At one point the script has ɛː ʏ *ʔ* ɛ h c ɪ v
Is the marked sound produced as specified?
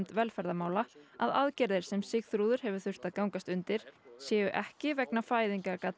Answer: yes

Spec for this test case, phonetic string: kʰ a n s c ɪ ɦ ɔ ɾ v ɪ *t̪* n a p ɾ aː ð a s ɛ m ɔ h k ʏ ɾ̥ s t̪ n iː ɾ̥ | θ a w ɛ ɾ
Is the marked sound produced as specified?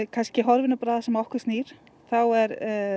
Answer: no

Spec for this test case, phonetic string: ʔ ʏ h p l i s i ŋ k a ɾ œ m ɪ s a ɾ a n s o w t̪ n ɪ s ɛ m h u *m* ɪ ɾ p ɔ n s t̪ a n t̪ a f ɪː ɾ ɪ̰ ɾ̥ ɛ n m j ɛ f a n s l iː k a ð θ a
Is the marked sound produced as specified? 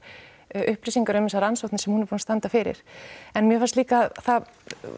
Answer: no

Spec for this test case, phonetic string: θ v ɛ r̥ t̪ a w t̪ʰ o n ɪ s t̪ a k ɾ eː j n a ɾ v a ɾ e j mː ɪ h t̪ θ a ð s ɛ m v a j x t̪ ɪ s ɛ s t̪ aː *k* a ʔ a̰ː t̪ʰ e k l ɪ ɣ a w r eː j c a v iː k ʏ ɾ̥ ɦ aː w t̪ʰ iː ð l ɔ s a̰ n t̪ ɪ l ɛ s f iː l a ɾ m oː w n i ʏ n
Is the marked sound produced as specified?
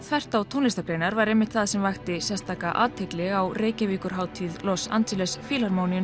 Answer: yes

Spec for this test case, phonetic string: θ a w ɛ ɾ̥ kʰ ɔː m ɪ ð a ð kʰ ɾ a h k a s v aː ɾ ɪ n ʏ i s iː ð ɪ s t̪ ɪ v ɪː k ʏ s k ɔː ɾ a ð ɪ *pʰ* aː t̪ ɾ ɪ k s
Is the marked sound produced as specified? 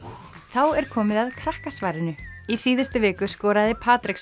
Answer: yes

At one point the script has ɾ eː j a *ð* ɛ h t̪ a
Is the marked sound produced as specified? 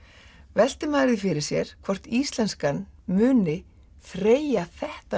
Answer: no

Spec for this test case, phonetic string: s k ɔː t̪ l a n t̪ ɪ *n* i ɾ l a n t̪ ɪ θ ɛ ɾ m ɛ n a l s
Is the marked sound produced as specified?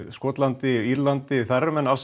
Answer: no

